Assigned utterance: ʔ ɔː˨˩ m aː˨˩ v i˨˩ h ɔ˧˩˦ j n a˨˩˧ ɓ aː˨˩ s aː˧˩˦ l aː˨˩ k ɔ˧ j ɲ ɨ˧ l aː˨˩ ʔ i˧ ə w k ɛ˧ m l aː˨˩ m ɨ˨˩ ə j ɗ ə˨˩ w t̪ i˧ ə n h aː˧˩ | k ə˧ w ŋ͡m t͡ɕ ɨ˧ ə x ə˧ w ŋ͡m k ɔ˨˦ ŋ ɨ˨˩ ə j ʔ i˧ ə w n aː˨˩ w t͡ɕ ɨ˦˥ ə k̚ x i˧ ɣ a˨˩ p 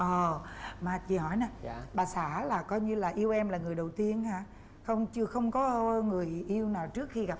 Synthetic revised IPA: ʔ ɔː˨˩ m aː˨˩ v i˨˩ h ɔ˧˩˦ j n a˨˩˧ ɓ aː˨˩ s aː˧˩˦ l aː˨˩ k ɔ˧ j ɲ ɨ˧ l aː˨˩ ʔ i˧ ə w ʔ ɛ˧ m l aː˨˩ ŋ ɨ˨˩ ə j ɗ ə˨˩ w t̪ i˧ ə n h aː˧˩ | x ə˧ w ŋ͡m t͡ɕ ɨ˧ ə x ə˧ w ŋ͡m k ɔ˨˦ ŋ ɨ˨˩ ə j ʔ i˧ ə w n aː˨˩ w t͡ɕ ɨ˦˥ ə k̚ x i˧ ɣ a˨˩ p